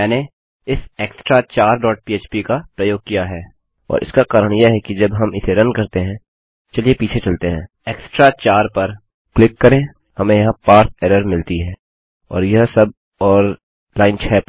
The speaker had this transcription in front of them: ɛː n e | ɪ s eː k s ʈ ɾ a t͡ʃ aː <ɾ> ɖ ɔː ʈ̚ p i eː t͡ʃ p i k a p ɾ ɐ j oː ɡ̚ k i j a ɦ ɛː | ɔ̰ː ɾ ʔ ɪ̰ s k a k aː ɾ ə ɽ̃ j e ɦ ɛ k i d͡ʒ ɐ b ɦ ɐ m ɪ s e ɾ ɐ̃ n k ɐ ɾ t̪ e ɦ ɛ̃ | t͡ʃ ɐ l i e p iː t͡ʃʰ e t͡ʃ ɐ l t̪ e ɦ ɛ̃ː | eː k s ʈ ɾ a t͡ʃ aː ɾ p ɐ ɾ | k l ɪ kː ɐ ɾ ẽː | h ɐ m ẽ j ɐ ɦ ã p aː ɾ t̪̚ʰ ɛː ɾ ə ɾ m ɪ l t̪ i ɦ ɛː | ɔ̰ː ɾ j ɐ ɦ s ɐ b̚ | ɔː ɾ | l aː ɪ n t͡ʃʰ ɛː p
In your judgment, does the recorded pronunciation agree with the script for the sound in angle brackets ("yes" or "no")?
yes